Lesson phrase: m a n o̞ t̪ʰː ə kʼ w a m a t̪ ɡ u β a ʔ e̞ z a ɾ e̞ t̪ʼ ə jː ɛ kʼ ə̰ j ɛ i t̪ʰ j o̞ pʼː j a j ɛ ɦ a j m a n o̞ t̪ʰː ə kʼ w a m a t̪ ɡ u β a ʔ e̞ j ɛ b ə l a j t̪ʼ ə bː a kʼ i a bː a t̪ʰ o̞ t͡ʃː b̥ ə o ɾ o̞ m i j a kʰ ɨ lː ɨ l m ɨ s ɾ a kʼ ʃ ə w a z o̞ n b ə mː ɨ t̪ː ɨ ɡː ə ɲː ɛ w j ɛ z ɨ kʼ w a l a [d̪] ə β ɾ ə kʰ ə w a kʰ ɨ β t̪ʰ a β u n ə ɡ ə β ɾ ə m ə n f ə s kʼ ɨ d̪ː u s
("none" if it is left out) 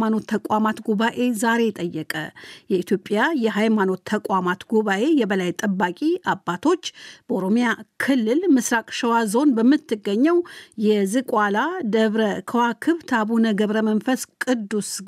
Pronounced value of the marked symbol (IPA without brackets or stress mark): d̪